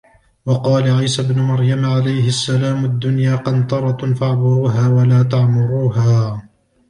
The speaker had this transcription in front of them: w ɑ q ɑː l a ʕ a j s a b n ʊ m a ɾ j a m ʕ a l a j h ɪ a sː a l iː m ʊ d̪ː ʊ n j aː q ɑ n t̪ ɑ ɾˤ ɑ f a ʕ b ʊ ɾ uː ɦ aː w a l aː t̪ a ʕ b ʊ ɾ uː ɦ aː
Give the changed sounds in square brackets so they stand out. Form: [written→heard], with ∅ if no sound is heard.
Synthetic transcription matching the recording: w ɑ q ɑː l a ʕ a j s a b n ʊ m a ɾ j a m ʕ a l a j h ɪ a sː a l [iː→aː] m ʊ d̪ː ʊ n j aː q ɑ n t̪ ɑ ɾˤ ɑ f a ʕ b ʊ ɾ uː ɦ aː w a l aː t̪ a ʕ [b→m] ʊ ɾ uː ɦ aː